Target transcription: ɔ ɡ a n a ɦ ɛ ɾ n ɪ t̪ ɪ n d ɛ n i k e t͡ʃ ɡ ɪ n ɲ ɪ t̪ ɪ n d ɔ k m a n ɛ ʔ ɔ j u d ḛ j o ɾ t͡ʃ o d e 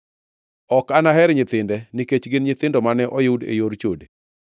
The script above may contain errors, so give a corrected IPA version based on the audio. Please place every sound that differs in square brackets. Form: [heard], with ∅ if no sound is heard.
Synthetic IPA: ɔ [k] a n a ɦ ɛ ɾ [ɲ] ɪ t̪ ɪ n d ɛ n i k e t͡ʃ ɡ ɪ n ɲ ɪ t̪ ɪ n d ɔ [∅] m a n ɛ ʔ ɔ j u d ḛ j o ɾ t͡ʃ o d e